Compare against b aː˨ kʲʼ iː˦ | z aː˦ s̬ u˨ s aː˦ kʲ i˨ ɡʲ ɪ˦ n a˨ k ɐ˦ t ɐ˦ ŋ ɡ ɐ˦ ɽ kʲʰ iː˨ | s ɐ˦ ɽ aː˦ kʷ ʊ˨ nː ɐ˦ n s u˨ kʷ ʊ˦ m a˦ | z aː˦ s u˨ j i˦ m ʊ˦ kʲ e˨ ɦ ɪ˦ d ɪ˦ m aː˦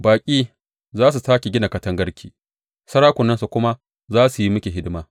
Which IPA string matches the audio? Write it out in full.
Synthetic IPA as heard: b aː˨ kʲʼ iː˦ | z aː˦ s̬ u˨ s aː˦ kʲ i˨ ɡʲ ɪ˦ n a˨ k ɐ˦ t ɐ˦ ŋ ɡ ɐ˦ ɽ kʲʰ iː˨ | s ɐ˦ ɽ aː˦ kʷ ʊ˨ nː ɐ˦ n s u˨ kʷ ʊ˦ m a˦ | z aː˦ s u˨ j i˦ m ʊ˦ kʲ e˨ ɦ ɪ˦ d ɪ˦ m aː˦